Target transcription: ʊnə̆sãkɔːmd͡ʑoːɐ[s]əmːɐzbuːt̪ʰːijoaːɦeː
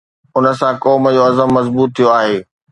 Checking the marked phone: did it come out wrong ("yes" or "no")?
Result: yes